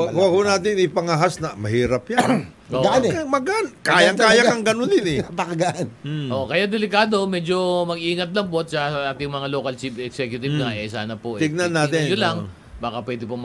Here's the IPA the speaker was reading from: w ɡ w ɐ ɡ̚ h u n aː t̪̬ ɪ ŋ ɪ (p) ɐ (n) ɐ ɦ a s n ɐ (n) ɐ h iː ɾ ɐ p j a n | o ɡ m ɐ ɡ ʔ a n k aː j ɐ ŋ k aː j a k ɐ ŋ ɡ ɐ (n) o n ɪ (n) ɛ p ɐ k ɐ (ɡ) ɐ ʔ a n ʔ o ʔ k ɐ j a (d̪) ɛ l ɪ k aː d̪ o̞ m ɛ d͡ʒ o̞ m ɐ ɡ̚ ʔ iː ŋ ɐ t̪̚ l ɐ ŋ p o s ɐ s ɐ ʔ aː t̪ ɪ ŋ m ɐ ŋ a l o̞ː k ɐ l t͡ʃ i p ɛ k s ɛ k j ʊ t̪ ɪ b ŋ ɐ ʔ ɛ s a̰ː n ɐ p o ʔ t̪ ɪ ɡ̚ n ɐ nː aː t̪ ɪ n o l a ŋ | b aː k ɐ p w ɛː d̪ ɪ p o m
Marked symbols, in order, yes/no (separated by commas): yes, no, no, yes, yes, yes, yes